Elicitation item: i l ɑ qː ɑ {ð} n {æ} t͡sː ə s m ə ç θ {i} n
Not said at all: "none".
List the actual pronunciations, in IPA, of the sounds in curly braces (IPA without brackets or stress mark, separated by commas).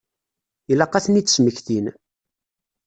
θ, i, i